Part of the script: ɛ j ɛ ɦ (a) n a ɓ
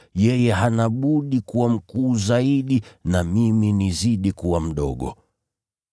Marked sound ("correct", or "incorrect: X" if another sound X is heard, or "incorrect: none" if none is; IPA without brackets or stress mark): correct